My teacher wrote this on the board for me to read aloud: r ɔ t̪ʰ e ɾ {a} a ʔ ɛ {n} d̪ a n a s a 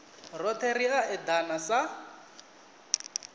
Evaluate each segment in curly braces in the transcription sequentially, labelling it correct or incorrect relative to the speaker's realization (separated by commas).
incorrect, incorrect